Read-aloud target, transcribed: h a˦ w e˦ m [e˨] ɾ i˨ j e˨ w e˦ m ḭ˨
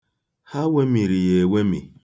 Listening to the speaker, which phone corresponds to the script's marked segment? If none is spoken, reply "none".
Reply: i˨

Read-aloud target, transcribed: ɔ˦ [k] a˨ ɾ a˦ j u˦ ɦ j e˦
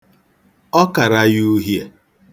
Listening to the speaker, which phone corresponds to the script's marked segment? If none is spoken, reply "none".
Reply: k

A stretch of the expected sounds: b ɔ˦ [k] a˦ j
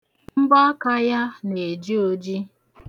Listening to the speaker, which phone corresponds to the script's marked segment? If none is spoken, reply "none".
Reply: k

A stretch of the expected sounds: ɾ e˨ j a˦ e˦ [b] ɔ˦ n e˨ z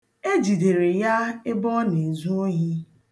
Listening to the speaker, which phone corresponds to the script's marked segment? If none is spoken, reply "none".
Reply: b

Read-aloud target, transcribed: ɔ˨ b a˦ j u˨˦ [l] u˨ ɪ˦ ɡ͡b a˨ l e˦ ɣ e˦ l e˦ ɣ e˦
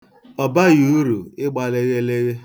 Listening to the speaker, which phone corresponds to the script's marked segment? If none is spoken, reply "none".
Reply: ɾ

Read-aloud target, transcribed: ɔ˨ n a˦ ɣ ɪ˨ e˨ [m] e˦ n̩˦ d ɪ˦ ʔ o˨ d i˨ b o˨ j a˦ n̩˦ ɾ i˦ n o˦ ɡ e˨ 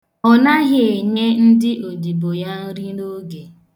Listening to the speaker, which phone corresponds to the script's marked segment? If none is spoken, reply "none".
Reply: ɲ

